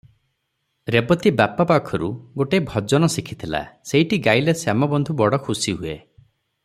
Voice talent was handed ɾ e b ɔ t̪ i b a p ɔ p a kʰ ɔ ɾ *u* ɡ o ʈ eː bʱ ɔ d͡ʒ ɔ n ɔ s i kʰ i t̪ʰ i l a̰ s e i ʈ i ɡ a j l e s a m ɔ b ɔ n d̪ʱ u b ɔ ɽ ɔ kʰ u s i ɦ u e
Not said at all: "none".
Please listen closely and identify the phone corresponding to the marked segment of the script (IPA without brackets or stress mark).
u